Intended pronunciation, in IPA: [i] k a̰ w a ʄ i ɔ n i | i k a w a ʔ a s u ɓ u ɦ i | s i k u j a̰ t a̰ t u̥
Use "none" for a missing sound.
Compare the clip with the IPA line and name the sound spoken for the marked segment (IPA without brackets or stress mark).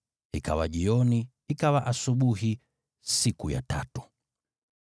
i